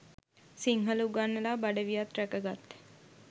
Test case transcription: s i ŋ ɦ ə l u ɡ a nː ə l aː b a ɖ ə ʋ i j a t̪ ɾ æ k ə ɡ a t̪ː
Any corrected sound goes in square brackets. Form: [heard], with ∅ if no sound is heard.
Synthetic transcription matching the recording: s i ŋ ɦ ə l u ɡ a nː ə l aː b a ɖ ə ʋ i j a t̪ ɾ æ k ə ɡ a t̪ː